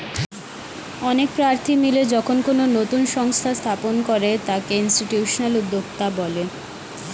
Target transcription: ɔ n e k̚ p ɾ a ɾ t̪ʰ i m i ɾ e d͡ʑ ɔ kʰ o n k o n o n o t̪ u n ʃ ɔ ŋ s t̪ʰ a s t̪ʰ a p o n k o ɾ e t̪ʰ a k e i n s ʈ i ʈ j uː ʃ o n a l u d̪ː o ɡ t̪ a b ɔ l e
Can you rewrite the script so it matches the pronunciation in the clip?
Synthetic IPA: ɔ n e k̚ p ɾ a ɾ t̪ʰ i m i l e d͡ʑ ɔ kʰ o n k o n o n o t̪ u n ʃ ɔ ŋ s t̪ʰ a s t̪ʰ a p o n k o ɾ e t̪ a k e i n s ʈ i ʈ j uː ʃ o n a l u d̪ː o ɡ t̪ a b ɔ l e